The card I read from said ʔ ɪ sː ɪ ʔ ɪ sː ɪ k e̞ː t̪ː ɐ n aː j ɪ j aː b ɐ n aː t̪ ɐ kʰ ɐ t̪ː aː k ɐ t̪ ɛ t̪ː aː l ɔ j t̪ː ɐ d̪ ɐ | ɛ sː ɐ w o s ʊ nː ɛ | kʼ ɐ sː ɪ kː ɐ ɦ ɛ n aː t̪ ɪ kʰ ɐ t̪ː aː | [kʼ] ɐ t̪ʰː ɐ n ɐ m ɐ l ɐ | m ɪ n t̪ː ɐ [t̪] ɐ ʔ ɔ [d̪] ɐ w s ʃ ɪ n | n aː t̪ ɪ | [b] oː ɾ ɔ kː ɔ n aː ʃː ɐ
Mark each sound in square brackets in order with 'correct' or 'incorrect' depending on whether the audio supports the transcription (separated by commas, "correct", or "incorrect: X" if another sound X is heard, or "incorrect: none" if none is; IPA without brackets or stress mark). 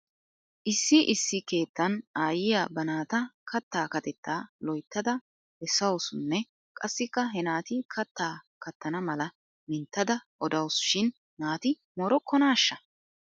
incorrect: k, incorrect: d̪, correct, incorrect: m